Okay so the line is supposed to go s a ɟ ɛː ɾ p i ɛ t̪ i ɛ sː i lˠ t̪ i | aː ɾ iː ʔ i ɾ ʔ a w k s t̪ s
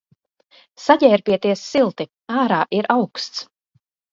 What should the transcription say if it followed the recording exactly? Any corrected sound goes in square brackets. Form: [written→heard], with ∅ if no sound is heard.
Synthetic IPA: s a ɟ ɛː ɾ p i ɛ t̪ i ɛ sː i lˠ t̪ i | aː ɾ [iː→aː] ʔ i ɾ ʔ a w k s t̪ s

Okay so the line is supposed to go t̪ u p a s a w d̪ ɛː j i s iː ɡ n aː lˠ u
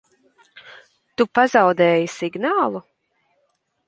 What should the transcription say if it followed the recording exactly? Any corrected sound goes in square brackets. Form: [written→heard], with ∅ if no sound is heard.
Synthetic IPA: t̪ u p a [s→z] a w d̪ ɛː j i s [iː→i] ɡ n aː lˠ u

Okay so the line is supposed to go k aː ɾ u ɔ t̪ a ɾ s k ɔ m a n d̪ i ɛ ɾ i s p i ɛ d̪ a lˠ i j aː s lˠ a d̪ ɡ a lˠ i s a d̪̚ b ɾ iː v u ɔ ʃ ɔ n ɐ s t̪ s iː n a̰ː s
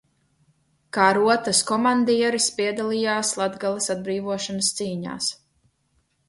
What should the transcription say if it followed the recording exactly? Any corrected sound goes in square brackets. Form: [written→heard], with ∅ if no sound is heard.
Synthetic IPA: k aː ɾ u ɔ t̪ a [ɾ→∅] s k ɔ m a n d̪ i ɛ ɾ i s p i ɛ d̪ a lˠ i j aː s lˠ a d̪ ɡ a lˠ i s a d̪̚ b ɾ iː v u ɔ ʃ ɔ n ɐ s t̪ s iː [n→ɲ] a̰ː s

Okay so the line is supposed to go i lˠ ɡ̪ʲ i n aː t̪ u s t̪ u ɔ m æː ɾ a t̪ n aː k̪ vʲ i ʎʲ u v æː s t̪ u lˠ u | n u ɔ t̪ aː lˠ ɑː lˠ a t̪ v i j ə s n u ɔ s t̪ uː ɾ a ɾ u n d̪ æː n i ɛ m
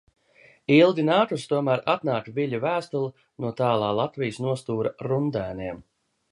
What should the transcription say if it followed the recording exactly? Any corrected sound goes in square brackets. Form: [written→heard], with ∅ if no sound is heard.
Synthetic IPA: i lˠ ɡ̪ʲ i n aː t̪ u s t̪ u ɔ m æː ɾ a t̪ n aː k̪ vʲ i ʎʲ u v æː s t̪ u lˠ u | n u ɔ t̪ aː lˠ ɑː lˠ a t̪ v i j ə s n u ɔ s t̪ uː ɾ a ɾ u n d̪ æː n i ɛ m

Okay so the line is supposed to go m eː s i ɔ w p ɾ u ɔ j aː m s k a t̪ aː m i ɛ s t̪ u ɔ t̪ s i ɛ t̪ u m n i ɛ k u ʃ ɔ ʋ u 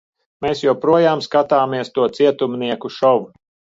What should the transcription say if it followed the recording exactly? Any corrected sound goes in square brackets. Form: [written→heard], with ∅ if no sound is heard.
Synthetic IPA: m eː s [i→j] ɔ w p ɾ u ɔ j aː m s k a t̪ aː m i ɛ s t̪ u ɔ t̪ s i ɛ t̪ u m n i ɛ k u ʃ ɔ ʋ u

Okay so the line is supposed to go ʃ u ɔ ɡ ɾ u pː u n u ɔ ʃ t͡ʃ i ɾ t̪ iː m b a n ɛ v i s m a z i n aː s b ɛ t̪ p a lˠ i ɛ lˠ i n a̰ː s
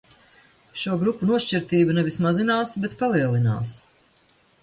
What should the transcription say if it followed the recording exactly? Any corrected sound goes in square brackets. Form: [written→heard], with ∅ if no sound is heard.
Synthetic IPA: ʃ u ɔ ɡ ɾ u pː u n u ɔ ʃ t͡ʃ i ɾ t̪ iː [m→∅] b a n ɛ v i s m a z i n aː s b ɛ t̪ p a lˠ i ɛ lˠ i n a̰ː s

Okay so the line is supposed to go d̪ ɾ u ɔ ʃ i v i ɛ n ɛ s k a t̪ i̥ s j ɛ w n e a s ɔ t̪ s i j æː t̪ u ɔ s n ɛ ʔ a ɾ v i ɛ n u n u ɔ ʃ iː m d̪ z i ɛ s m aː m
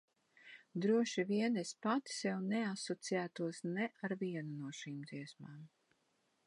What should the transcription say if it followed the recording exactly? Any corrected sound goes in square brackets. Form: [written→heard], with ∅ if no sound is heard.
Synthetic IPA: d̪ ɾ u ɔ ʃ i v i ɛ n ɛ s [k→p] a t̪ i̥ s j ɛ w n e a s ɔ t̪ s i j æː t̪ u ɔ s n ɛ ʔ a ɾ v i ɛ n u n u ɔ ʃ iː m d̪ z i ɛ s m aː m

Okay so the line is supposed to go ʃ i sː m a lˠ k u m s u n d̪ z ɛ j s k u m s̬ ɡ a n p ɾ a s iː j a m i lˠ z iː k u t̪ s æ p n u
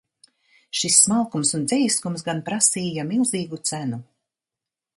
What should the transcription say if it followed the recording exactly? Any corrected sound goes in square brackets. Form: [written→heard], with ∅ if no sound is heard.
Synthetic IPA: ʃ i sː m a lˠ k u m s u n d̪ z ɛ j s k u m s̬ ɡ a n p ɾ a s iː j a m i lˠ z iː [k→ɡ] u t̪ s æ [p→∅] n u

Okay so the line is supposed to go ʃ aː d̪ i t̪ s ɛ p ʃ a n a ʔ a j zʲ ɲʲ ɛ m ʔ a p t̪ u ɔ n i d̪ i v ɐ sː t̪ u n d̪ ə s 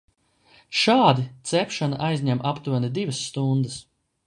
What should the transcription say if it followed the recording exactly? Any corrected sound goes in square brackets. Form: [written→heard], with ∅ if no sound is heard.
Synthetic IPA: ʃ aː d̪ i t̪ s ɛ p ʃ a n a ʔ a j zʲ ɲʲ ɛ m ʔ a p t̪ u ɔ n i d̪ i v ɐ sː t̪ u n d̪ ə s

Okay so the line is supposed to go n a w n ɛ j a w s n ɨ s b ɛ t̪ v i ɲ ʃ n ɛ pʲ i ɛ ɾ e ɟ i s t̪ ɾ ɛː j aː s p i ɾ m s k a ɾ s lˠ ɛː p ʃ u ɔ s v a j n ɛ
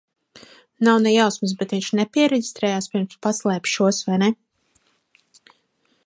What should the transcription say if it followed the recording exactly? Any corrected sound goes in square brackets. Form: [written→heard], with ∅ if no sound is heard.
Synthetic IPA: n a w n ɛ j a w s [n→m] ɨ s b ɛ t̪ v i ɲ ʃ n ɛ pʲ i ɛ ɾ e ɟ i s t̪ ɾ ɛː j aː s p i ɾ m s [k→p] a [ɾ→∅] s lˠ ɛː p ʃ u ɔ s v a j n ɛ

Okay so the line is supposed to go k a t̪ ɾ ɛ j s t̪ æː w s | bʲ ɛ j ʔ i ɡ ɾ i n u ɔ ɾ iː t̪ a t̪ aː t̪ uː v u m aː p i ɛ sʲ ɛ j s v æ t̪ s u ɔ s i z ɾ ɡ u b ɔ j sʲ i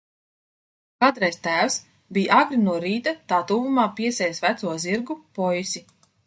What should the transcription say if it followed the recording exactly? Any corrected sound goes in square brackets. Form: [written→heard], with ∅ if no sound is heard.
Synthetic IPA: k a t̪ ɾ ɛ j s t̪ æː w s | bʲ [ɛ→i] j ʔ [i→a] ɡ ɾ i n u ɔ ɾ iː t̪ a t̪ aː t̪ uː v u m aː p i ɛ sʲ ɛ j s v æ t̪ s u ɔ [s→z] i [z→∅] ɾ ɡ u [b→p] ɔ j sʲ i

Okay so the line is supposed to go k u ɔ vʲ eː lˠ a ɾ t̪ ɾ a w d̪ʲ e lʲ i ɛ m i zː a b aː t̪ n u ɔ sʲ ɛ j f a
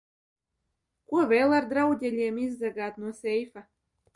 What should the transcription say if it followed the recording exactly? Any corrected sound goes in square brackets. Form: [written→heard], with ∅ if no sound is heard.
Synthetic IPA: k u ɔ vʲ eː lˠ a ɾ [t̪→d̪] ɾ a w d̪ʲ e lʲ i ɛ m i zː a [b→ɡ] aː t̪ n u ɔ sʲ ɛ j f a

